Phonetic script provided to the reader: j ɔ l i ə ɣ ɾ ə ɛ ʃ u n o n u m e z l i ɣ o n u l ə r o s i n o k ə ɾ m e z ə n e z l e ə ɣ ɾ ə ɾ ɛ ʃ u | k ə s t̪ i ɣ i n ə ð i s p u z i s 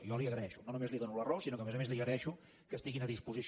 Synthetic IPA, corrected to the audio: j ɔ l i ə ɣ ɾ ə ɛ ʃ u n o n u m e z l i ð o n u l ə r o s i n o k ə m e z ə m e z l i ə ɣ ɾ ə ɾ ɛ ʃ u | k ə s t̪ i ɣ i n ə ð i s p u z i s